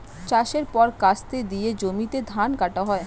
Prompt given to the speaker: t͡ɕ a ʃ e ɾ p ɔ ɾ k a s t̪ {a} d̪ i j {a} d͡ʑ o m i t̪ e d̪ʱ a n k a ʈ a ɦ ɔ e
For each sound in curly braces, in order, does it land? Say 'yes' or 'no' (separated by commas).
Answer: no, no